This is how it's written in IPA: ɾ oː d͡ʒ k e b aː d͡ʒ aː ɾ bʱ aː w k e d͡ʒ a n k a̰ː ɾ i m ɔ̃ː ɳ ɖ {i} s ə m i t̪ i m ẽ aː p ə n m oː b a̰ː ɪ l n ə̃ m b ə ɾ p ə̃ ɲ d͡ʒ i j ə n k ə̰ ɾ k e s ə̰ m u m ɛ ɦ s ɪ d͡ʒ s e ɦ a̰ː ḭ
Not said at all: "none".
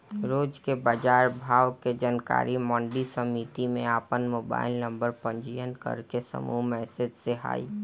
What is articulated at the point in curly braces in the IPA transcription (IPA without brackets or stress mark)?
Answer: i